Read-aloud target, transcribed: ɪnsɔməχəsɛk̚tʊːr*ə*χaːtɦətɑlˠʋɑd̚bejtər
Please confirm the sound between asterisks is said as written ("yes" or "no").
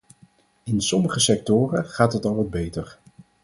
yes